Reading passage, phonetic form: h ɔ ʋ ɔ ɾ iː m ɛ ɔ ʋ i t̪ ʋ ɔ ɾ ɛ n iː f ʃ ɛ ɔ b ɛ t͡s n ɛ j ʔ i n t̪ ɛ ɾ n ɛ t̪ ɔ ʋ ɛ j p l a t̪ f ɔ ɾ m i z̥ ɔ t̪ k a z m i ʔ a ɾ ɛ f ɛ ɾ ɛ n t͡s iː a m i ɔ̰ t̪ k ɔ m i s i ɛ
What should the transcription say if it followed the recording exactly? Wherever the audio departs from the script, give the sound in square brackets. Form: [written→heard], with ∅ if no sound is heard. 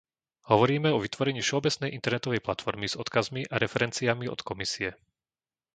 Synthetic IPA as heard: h ɔ ʋ ɔ ɾ iː m ɛ ɔ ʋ i t̪ ʋ ɔ ɾ ɛ [n→ɲ] iː f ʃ ɛ ɔ b ɛ t͡s n ɛ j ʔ i n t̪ ɛ ɾ n ɛ t̪ ɔ ʋ ɛ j p l a t̪ f ɔ ɾ m i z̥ ɔ t̪ k a z m i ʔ a ɾ ɛ f ɛ ɾ ɛ n t͡s [iː→i] a m i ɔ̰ t̪ k ɔ m i s i ɛ